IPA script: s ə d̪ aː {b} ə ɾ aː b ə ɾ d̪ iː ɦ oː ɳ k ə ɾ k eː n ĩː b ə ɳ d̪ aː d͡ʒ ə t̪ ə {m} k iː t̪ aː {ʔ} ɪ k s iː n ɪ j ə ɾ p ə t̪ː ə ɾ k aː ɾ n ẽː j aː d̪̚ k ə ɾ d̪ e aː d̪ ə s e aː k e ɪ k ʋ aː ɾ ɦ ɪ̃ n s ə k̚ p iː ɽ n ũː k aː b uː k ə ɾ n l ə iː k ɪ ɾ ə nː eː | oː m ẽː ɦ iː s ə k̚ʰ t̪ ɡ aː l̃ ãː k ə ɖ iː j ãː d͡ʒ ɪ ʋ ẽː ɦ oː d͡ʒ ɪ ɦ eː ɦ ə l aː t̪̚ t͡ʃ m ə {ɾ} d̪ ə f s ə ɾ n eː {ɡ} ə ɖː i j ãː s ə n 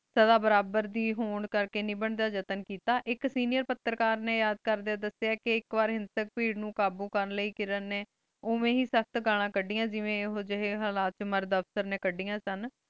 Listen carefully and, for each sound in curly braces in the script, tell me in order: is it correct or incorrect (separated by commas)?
correct, incorrect, correct, correct, incorrect